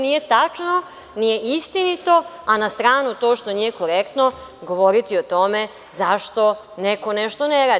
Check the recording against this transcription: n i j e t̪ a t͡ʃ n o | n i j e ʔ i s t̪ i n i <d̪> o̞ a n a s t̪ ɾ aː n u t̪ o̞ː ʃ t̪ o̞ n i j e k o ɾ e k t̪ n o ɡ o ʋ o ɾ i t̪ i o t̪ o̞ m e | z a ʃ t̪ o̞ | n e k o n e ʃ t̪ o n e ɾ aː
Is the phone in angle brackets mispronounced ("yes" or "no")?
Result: yes